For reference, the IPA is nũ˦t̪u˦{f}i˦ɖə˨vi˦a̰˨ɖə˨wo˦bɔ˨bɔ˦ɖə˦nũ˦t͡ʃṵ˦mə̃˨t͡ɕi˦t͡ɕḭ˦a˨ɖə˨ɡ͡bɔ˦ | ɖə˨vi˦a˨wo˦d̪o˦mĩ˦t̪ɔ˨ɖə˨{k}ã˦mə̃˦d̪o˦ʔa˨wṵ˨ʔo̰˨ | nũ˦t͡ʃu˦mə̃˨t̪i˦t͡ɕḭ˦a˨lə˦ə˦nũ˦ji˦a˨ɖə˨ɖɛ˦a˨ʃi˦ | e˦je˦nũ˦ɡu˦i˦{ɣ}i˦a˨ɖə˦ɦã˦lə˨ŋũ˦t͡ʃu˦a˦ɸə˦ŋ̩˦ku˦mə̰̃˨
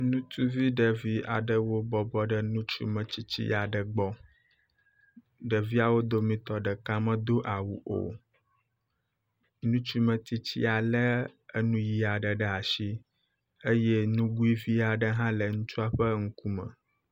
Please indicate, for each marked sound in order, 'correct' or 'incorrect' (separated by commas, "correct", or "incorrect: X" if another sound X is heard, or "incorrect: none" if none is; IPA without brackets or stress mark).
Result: incorrect: v, correct, incorrect: v